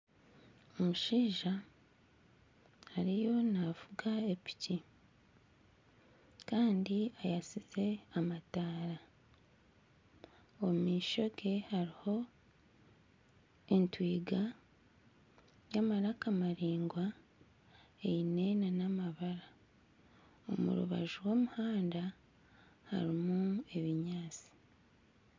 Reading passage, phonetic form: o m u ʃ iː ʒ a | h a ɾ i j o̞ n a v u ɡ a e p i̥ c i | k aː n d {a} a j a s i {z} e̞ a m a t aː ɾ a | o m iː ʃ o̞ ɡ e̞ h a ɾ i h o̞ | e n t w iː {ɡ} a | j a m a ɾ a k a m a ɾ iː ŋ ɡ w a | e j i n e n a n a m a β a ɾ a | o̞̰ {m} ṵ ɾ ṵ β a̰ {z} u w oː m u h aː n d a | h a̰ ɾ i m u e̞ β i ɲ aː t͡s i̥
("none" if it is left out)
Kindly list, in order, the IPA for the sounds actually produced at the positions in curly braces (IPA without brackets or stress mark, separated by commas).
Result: i, z, ɡ, m, ʒ